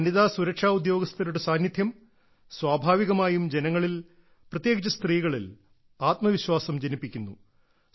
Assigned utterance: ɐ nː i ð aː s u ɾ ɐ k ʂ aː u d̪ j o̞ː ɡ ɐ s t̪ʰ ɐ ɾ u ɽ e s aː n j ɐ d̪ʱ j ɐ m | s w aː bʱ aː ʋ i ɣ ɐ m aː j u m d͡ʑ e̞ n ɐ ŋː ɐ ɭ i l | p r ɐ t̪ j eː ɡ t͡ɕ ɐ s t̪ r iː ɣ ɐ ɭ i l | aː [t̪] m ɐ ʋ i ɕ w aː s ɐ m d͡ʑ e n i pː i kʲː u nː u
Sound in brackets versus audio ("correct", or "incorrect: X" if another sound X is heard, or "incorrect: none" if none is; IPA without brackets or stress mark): correct